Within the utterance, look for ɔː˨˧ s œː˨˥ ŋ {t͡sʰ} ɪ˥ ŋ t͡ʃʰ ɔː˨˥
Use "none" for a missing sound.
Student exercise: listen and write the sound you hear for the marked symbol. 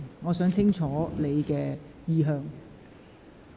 t͡sʰ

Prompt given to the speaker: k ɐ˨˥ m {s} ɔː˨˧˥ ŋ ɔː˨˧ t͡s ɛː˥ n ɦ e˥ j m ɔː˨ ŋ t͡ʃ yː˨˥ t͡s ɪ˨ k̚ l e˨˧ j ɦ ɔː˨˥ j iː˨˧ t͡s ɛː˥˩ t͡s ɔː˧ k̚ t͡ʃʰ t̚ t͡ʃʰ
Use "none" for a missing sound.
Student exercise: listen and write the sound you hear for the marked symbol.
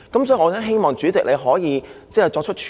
s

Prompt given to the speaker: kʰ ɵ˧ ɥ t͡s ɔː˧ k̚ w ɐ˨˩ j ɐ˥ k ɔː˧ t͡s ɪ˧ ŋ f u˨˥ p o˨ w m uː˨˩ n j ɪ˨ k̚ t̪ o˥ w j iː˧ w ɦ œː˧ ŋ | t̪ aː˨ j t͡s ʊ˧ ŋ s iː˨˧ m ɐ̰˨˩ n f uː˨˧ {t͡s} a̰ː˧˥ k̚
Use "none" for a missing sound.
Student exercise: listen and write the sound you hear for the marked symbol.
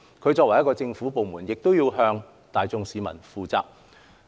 t͡s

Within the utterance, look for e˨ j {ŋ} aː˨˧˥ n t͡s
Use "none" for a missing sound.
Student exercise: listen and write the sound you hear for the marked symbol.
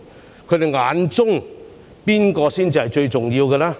ŋ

